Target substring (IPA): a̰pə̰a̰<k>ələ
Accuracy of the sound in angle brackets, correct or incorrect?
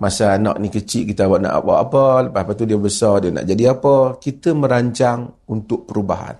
incorrect